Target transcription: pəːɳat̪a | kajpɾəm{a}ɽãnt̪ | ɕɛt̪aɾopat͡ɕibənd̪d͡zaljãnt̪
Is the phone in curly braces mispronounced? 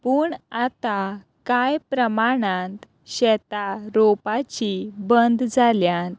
no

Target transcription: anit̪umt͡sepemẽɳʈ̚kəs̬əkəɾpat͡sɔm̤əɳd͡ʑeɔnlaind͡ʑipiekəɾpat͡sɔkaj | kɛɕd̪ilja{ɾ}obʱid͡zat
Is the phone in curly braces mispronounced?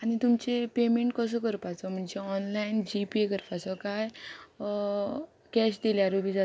no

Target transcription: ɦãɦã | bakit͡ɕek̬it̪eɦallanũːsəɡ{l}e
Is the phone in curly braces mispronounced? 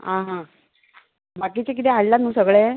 yes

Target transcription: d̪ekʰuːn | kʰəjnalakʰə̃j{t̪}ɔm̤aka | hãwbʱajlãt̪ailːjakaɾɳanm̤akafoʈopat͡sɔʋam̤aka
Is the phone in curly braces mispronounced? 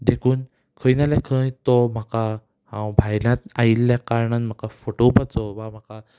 no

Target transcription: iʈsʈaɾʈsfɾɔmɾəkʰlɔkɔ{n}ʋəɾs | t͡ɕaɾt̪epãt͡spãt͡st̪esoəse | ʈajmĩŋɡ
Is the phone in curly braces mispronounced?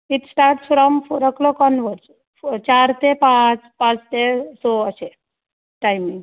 no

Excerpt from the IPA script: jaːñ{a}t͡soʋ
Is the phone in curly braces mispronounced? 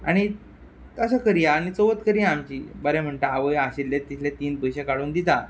yes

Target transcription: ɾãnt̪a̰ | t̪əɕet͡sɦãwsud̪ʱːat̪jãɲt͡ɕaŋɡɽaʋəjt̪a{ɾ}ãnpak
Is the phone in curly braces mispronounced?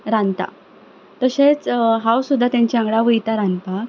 no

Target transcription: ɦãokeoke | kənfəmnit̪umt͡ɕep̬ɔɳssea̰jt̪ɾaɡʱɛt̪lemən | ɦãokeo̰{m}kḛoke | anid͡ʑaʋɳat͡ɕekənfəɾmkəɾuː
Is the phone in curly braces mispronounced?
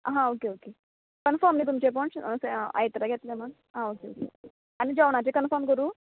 yes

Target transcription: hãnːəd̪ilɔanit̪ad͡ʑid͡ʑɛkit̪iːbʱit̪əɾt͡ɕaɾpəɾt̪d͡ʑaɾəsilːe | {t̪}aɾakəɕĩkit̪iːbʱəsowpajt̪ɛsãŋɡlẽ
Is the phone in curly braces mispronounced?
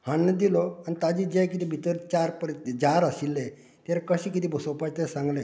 no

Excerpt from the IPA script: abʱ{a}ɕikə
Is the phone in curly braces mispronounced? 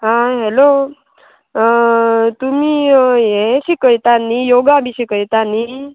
yes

